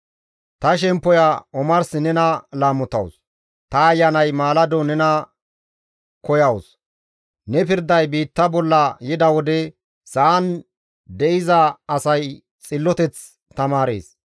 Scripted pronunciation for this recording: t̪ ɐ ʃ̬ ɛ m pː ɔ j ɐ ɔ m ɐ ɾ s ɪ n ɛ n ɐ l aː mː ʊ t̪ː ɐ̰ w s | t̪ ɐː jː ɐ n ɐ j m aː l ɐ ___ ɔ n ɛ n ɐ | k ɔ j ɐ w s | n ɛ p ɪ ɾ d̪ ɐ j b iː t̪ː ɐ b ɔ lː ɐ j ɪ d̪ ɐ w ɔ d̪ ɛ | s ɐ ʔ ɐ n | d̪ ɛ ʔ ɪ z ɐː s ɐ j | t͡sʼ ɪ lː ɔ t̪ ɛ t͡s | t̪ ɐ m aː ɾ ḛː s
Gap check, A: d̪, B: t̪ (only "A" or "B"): A